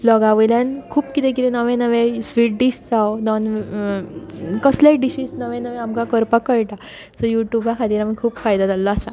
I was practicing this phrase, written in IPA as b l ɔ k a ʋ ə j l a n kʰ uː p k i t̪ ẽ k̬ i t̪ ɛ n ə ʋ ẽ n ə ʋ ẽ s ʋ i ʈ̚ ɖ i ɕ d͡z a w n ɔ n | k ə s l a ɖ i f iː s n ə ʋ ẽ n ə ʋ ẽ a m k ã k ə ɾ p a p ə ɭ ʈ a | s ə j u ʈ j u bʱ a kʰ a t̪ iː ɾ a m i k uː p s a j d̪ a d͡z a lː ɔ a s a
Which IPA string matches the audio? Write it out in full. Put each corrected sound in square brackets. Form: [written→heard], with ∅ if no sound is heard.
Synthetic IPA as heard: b l ɔ [k→ɡ] a ʋ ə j l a n kʰ uː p k i t̪ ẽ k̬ i t̪ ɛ n ə ʋ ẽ n ə ʋ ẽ s ʋ i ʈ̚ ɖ i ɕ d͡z a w n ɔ n | k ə s l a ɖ i [f→ɕ] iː s n ə ʋ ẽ n ə ʋ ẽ a m k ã k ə ɾ p a [p→k] ə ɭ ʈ a | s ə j u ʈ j u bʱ a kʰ a t̪ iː ɾ a m i [k→kʰ] uː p [s→f] a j d̪ a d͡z a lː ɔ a s a